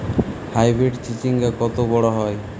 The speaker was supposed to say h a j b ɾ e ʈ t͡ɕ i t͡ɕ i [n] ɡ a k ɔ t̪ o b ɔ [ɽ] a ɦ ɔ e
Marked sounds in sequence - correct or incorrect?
incorrect: ŋ, correct

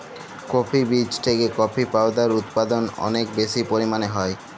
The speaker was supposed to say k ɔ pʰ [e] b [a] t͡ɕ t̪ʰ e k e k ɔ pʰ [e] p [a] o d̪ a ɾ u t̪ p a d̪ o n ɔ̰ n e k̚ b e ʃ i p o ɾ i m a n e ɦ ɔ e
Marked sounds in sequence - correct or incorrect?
incorrect: i, incorrect: i, incorrect: i, correct

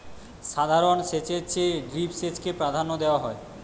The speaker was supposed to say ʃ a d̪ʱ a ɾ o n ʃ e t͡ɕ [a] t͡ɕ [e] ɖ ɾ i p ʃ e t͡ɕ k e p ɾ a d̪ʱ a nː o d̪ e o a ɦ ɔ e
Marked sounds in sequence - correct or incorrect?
incorrect: e, correct

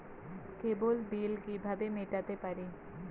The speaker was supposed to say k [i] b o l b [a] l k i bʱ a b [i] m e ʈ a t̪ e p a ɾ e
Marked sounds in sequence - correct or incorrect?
incorrect: e, incorrect: i, incorrect: e

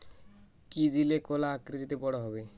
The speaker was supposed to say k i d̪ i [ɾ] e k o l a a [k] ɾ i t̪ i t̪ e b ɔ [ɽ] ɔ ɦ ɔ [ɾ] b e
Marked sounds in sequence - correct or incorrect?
incorrect: l, correct, correct, incorrect: none

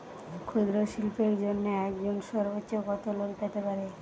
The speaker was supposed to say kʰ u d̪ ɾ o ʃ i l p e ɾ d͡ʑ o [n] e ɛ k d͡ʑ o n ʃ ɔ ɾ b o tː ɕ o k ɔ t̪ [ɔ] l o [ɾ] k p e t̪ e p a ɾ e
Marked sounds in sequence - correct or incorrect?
incorrect: nː, incorrect: o, incorrect: none

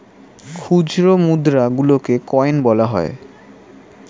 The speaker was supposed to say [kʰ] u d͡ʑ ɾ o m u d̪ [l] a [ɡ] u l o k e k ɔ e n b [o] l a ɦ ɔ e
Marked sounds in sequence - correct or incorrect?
correct, incorrect: ɾ, correct, incorrect: ɔ

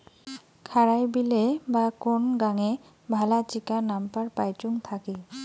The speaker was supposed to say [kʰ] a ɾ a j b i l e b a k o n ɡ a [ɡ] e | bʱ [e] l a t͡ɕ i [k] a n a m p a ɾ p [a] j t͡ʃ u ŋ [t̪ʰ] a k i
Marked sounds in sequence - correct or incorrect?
correct, incorrect: ŋ, incorrect: a, correct, correct, correct

